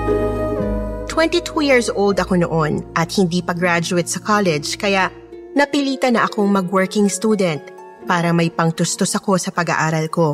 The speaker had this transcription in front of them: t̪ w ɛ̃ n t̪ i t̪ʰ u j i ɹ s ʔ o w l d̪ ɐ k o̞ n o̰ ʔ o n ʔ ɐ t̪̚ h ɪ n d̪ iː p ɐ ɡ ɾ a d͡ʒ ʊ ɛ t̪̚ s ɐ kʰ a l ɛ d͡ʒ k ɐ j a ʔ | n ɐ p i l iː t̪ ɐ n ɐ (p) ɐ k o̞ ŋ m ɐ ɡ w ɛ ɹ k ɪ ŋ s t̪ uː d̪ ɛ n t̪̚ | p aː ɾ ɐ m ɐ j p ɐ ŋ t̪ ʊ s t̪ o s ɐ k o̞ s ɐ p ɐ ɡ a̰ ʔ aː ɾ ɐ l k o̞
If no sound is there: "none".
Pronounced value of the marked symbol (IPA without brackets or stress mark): ʔ